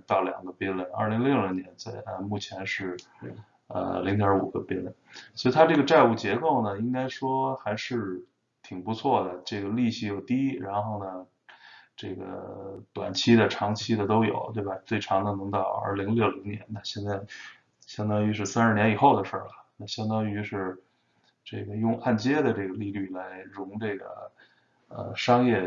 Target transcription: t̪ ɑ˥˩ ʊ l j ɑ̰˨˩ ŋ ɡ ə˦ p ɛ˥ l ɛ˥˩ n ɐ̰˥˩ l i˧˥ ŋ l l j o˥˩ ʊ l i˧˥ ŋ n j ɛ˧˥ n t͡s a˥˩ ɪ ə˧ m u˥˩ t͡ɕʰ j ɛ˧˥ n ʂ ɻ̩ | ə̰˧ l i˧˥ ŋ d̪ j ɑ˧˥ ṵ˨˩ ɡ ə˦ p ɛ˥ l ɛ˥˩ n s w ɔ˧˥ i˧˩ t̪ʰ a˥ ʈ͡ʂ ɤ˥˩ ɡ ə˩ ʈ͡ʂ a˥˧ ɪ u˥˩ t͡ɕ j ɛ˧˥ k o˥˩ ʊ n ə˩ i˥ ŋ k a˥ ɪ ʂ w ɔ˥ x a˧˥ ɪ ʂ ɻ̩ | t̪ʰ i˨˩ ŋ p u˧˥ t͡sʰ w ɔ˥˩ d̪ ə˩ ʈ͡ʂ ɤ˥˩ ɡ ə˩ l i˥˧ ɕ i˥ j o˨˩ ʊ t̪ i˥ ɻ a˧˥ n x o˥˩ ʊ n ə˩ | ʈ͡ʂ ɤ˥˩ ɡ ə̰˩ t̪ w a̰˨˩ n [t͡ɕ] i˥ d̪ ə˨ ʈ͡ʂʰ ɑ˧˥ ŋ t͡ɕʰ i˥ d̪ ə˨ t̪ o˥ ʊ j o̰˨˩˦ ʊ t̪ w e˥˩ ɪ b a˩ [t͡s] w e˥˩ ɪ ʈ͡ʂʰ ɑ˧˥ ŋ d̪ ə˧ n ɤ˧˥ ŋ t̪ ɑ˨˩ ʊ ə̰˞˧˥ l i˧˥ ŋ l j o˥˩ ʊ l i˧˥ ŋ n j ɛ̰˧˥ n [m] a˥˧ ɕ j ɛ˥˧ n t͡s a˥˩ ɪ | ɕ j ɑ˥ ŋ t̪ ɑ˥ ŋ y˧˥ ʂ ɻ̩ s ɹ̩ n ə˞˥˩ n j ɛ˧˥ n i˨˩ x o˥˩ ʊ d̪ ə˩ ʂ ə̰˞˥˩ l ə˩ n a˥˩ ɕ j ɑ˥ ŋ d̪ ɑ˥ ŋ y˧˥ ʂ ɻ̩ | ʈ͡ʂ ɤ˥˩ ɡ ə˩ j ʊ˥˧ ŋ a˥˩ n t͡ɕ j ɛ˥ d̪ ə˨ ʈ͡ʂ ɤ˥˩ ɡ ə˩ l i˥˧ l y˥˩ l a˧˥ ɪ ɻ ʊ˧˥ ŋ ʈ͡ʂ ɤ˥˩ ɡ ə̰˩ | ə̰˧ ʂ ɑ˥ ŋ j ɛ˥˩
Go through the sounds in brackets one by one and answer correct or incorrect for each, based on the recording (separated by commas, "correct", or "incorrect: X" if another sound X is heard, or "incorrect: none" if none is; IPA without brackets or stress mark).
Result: incorrect: t͡ɕʰ, correct, incorrect: n